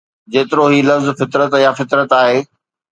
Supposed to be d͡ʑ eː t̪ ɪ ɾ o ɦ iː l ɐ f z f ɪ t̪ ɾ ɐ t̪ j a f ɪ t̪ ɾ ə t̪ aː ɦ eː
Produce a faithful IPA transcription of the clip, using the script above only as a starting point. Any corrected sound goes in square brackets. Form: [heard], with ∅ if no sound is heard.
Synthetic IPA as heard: d͡ʑ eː t̪ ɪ ɾ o ɦ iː l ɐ f z f ɪ t̪ ɾ [ə] t̪ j a f ɪ t̪ ɾ ə t̪ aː ɦ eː